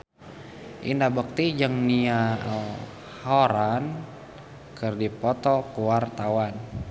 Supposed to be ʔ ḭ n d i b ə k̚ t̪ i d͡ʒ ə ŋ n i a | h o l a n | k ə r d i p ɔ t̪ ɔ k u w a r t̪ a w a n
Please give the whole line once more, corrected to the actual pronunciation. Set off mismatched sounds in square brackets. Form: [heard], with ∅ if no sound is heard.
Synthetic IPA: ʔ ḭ n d [a] b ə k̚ t̪ i d͡ʒ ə ŋ n i a | h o [ɾ] a n | k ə r d i p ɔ t̪ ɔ k u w a r t̪ a w a n